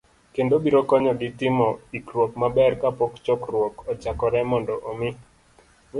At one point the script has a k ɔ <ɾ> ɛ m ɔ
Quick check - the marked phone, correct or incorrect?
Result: correct